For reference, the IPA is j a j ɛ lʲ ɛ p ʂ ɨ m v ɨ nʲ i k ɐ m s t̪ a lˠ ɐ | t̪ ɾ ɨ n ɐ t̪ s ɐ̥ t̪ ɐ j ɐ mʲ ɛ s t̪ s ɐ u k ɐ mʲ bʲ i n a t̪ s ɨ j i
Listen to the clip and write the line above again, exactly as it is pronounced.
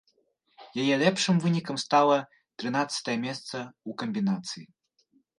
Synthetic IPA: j a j ɛ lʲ ɛ p ʂ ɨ m v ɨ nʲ i k ɐ m s t̪ a lˠ ɐ | t̪ ɾ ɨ n a t̪ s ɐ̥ t̪ ɐ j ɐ mʲ ɛ s t̪ s ɐ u k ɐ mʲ bʲ i n a t̪ s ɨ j i